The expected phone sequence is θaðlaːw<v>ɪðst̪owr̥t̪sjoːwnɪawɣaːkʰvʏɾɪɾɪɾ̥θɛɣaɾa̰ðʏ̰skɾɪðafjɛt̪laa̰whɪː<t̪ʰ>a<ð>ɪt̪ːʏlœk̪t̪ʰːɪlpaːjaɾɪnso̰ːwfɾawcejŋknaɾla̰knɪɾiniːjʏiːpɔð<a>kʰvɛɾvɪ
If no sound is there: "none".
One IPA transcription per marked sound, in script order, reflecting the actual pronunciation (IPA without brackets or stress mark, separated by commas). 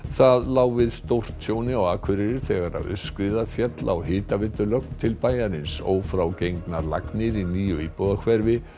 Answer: v, t̪, v, a